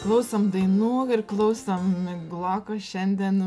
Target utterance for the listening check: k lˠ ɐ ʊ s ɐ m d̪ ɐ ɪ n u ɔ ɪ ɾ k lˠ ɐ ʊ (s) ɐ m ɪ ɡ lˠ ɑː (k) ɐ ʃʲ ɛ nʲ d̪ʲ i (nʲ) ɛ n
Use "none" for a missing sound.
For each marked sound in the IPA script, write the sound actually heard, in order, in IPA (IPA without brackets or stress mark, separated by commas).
s, k, none